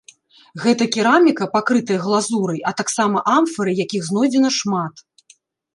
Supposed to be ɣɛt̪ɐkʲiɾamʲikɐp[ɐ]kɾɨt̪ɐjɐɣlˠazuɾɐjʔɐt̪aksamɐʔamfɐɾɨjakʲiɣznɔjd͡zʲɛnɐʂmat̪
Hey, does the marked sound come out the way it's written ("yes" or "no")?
no